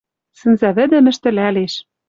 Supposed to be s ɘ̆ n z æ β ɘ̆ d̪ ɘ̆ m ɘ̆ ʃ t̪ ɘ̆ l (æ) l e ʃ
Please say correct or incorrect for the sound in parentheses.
correct